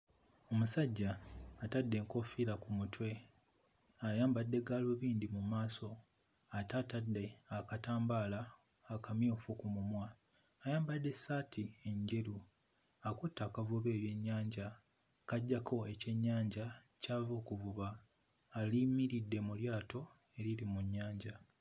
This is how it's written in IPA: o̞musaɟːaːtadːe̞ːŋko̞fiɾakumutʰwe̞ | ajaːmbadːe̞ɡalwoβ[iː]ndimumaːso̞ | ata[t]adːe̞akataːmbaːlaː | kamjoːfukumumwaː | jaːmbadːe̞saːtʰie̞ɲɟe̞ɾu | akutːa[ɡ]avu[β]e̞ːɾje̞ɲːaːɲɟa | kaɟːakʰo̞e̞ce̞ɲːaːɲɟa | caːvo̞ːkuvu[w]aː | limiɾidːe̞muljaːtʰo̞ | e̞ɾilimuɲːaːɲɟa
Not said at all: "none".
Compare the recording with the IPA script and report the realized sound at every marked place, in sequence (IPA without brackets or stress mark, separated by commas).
iː, t, k, β, β